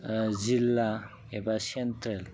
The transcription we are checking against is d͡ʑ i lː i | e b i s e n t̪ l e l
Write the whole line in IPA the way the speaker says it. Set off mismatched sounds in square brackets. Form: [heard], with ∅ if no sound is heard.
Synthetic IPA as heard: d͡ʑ i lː [a] | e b [a] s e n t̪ [ɾ] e l